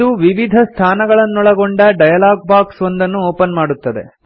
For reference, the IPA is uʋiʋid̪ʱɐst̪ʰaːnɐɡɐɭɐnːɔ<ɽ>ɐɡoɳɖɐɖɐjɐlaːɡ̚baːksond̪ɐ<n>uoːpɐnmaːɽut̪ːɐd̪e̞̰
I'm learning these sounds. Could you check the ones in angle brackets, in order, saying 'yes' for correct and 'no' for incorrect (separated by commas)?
no, no